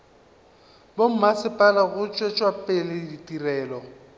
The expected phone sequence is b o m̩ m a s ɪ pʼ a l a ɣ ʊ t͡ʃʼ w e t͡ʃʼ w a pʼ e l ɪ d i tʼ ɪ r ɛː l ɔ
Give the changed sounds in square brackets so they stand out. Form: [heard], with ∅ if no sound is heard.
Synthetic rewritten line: b o m̩ m a s ɪ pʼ a l a ɣ ʊ t͡ʃʼ w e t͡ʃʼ w a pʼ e l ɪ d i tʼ [i] r ɛː l ɔ